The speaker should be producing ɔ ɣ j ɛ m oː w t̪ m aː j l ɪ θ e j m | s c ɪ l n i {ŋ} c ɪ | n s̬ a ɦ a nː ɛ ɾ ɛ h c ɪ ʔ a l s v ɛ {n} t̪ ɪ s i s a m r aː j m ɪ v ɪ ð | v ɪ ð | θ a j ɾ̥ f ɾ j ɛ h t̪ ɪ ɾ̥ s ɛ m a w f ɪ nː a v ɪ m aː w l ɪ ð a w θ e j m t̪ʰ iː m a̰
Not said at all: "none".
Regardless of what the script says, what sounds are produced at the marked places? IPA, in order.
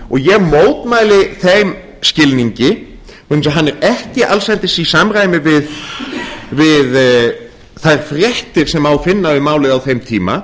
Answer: ɲ, n

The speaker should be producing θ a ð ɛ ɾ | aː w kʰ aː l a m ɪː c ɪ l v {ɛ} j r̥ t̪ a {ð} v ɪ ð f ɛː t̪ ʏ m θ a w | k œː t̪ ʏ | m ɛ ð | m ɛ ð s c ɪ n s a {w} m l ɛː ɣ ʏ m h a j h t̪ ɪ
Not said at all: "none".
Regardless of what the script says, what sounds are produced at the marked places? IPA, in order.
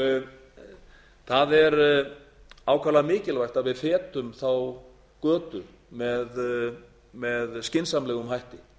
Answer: a, ð, none

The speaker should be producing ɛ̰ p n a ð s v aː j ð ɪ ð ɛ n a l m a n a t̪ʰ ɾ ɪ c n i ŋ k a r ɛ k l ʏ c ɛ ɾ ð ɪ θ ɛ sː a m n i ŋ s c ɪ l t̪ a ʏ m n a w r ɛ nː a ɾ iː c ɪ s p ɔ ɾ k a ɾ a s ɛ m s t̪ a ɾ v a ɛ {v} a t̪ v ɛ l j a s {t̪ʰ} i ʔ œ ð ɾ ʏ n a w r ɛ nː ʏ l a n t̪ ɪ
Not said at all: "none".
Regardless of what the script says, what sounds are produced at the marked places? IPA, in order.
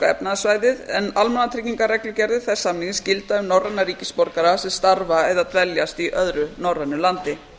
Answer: ð, t̪

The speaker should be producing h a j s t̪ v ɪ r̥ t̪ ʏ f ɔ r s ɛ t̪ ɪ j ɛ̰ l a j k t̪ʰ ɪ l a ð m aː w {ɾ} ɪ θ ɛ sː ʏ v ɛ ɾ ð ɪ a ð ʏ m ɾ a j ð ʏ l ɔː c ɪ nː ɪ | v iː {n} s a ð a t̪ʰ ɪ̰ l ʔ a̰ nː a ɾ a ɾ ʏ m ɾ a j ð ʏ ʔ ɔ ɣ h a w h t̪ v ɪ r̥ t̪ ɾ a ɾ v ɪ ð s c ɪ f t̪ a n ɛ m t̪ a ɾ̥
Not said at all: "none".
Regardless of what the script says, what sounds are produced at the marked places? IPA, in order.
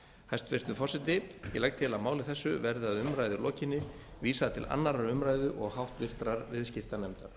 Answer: l, none

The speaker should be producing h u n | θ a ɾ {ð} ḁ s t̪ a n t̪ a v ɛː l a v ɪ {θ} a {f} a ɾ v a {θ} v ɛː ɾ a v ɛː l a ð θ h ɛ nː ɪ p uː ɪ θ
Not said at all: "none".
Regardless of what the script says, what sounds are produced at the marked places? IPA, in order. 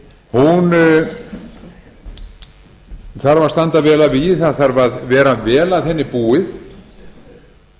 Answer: v, θ, θ, ð

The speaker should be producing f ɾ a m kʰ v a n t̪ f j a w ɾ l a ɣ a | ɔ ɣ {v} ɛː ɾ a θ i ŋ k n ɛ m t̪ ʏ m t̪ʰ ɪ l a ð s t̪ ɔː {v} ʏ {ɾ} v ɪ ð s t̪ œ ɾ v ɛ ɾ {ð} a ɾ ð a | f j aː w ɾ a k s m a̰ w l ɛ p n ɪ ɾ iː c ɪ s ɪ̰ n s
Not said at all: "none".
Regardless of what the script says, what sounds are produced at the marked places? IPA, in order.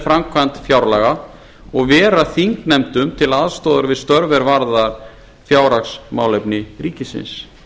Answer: v, ð, ɾ, v

